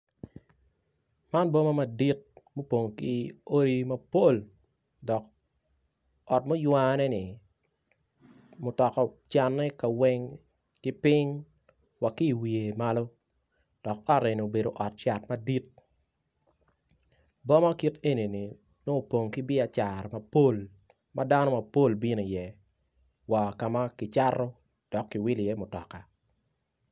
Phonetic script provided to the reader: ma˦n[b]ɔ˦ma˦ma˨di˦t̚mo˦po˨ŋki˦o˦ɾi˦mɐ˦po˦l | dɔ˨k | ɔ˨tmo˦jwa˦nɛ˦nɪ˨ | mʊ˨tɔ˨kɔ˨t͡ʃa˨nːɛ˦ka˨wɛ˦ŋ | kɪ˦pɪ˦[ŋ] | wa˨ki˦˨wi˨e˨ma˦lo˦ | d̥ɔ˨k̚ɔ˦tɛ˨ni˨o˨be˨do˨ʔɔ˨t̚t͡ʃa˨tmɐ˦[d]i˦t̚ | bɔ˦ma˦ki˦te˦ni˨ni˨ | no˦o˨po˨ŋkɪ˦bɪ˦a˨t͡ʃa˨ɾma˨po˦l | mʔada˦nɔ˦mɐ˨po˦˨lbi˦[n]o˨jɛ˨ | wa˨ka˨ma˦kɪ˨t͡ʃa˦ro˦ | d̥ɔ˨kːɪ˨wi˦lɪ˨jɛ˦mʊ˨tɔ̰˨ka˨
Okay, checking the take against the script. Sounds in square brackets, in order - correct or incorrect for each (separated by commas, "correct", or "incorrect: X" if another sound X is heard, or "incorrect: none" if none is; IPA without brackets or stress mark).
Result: correct, correct, correct, correct